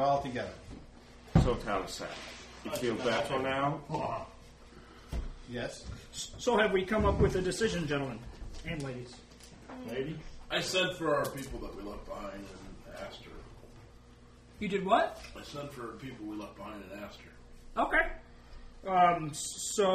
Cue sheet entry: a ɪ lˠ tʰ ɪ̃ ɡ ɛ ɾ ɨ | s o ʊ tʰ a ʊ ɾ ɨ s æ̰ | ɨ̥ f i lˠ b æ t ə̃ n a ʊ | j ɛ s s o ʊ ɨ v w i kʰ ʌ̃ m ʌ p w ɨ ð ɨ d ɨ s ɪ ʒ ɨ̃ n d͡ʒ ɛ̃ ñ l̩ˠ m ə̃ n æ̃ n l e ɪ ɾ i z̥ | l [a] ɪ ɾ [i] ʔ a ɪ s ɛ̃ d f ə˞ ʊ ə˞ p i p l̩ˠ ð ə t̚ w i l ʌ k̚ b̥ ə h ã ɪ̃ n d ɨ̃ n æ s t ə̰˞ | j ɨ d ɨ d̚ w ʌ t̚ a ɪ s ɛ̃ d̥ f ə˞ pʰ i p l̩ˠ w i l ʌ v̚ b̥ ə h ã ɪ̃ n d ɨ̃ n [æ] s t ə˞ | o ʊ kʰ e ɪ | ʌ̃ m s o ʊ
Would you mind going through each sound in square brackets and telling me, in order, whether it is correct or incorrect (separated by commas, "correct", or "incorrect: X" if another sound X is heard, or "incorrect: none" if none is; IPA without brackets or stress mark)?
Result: incorrect: e, correct, correct